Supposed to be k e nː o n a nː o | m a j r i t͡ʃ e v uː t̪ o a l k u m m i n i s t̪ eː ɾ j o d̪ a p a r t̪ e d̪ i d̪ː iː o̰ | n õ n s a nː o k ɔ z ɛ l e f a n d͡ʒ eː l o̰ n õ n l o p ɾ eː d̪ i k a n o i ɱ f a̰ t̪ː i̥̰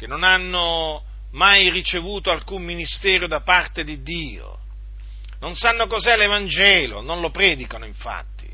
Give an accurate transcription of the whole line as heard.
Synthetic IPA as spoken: k e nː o n a nː o | m a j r i t͡ʃ e v uː t̪ o a l k u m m i n i s t̪ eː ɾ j o d̪ a p a r t̪ e d̪ i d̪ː iː o̰ | n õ n s a nː o k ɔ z ɛ l e v a n d͡ʒ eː l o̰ n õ n l o p ɾ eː d̪ i k a n o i ɱ f a̰ t̪ː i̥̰